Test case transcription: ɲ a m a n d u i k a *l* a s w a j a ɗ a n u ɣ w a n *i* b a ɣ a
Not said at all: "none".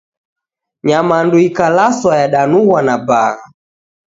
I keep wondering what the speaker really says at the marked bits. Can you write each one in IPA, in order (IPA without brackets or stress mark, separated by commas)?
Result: l, a